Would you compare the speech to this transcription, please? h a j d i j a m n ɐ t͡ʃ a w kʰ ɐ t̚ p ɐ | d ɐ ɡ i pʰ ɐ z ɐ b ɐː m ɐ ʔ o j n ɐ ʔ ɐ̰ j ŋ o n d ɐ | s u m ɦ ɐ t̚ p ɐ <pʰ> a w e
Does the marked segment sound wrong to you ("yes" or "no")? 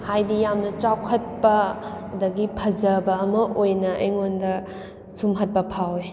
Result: no